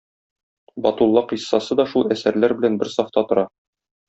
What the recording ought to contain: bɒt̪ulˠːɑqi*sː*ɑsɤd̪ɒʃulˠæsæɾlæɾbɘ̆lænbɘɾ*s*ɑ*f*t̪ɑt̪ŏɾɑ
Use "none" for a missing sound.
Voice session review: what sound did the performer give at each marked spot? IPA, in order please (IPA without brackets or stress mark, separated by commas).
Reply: sː, s, f